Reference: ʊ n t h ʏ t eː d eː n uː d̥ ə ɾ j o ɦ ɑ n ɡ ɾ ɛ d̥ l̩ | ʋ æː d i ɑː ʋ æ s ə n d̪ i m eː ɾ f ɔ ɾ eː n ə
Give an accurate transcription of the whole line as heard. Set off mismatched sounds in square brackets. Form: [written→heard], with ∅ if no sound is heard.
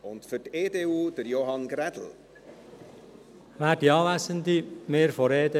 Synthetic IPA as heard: ʊ n t [h→f] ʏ t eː d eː [n→∅] uː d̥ ə ɾ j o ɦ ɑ n ɡ ɾ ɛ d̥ l̩ | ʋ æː d i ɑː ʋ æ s ə n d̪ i m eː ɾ f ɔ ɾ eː [n→d] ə